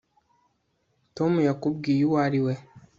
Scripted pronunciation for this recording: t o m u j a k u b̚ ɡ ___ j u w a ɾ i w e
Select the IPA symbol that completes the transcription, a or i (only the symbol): i